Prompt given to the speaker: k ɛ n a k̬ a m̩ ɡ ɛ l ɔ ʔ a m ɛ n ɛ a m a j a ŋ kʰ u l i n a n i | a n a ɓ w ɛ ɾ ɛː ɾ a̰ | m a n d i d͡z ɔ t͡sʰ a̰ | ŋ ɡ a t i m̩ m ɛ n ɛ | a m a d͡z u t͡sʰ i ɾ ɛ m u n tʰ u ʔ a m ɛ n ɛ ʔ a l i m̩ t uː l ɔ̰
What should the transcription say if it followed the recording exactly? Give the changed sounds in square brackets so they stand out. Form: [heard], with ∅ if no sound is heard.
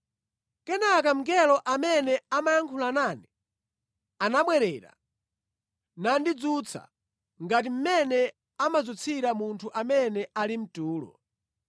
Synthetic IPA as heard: k ɛ n a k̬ a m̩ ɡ ɛ l ɔ ʔ a m ɛ n ɛ a m a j a ŋ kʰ u l [a] n a n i | a n a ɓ w ɛ ɾ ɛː ɾ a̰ | [n] a n d i d͡z [u] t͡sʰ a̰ | ŋ ɡ a t i m̩ m ɛ n ɛ | a m a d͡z u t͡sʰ i ɾ [a] m u n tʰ u ʔ a m ɛ n ɛ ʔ a l i m̩ t uː l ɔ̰

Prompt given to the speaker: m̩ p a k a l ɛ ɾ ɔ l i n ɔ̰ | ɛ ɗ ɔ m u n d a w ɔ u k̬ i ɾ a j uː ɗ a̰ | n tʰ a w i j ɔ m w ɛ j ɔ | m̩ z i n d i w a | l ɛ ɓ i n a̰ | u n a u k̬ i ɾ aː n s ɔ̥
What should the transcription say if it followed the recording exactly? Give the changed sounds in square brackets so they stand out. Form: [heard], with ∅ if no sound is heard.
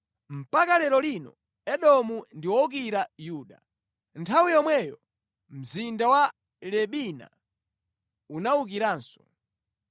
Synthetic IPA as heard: m̩ p a k a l ɛ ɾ ɔ l i n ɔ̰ | ɛ ɗ ɔ m u n d [i] w ɔ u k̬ i ɾ a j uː ɗ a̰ | n tʰ a w i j ɔ m w ɛ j ɔ | m̩ z i n d [a] w a | l ɛ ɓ i n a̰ | u n a u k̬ i ɾ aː n s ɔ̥

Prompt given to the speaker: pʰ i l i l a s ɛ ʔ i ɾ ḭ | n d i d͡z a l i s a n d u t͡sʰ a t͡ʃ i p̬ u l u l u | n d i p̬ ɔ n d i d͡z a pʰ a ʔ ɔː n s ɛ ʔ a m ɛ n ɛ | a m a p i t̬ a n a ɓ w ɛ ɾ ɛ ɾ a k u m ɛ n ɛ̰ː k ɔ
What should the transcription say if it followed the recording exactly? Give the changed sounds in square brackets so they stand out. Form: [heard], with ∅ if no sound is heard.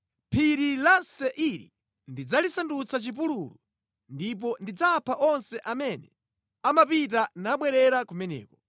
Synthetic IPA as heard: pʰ i [ɾ] i l a s ɛ ʔ i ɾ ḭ | n d i d͡z a l i s a n d u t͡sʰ a t͡ʃ i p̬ u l u l u | n d i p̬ ɔ n d i d͡z a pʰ a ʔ [ɔ] n s ɛ ʔ a m ɛ n ɛ | a m a p i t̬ a n a ɓ w ɛ ɾ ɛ ɾ a k u m ɛ n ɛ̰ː k ɔ

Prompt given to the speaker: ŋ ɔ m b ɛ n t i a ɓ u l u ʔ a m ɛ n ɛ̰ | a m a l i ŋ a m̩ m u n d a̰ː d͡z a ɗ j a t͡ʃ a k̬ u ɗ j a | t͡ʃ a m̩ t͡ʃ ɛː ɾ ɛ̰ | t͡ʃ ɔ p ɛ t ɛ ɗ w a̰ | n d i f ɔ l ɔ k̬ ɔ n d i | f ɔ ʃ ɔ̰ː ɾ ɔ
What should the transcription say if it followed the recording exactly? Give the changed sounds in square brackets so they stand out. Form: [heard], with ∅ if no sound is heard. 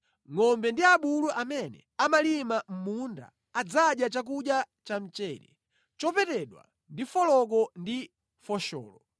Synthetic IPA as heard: ŋ ɔ m b ɛ n [d] i a ɓ u l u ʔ a m ɛ n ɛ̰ | a m a l i [m] a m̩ m u n d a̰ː d͡z a ɗ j a t͡ʃ a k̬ u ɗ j a | t͡ʃ a m̩ t͡ʃ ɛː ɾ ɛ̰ | t͡ʃ ɔ p ɛ t ɛ ɗ w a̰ | n d i f ɔ l ɔ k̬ ɔ n d i | f ɔ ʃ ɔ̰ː [l] ɔ

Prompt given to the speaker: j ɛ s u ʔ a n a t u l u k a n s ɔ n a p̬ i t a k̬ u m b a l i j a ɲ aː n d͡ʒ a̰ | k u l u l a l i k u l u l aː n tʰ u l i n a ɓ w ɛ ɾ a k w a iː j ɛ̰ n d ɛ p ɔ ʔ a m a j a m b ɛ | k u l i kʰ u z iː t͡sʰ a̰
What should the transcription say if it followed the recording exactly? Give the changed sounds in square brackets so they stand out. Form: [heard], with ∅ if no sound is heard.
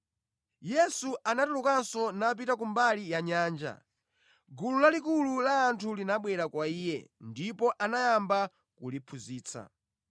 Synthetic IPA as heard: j ɛ s u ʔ a n a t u l u k a n s ɔ n a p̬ i t a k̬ u m b a l i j a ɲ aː n d͡ʒ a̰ | [ɡ] u l u l a l i k u l u l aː n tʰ u l i n a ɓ w ɛ ɾ a k w a iː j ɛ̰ n d [i] p ɔ ʔ a [n] a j a m b [a] | k u l i [pʰ] u z iː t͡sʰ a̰

